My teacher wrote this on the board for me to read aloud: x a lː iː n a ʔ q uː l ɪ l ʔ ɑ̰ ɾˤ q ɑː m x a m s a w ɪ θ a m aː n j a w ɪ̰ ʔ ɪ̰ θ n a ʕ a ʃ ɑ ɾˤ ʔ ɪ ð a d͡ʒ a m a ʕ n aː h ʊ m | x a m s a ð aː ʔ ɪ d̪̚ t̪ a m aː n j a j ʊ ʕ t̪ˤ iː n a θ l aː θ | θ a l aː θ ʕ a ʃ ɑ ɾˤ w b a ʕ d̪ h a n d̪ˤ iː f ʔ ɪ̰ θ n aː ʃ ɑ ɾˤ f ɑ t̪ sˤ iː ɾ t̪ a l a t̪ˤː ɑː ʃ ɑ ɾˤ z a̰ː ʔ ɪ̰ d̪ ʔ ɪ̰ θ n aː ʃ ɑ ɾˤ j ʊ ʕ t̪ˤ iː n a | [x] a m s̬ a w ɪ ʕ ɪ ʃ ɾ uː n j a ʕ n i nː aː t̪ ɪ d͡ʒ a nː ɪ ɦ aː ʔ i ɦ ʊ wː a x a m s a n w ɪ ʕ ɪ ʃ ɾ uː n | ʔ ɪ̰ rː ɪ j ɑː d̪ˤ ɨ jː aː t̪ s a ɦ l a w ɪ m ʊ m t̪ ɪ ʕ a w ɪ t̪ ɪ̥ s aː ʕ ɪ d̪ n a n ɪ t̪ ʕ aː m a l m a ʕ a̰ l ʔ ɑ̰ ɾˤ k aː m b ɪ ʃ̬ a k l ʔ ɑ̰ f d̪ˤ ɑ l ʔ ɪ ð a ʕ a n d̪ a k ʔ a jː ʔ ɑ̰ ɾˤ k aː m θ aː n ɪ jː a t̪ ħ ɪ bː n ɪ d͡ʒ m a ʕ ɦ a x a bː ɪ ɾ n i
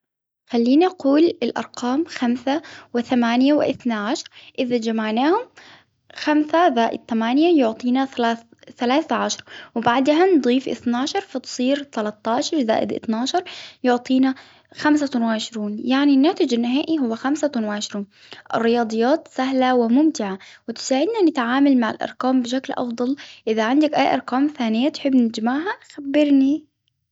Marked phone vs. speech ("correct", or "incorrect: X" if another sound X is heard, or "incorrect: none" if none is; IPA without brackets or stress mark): correct